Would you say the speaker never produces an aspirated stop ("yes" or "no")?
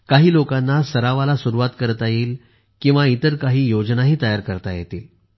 yes